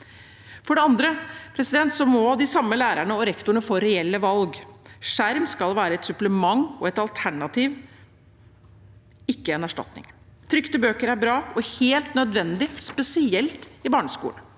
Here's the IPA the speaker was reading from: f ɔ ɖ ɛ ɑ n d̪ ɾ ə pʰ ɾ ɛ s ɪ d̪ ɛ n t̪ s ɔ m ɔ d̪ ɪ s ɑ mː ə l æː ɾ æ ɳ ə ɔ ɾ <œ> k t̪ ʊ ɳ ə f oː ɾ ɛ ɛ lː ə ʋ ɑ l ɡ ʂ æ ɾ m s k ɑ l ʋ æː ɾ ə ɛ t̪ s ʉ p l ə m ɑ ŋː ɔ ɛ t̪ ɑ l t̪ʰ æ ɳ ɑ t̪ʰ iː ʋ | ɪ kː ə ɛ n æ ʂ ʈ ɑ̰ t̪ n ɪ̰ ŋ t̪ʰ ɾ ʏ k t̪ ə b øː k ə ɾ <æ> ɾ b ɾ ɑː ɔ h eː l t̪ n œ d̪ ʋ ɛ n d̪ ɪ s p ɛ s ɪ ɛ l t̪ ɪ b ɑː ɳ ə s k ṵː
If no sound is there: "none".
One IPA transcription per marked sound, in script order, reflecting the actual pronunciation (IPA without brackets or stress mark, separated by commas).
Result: ɛ, æ